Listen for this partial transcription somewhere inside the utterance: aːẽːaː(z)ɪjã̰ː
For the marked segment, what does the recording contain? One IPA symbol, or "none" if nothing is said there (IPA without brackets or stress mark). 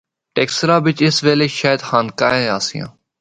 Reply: s